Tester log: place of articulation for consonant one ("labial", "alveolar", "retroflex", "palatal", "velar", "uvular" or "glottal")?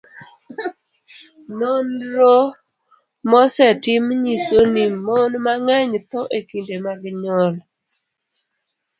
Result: alveolar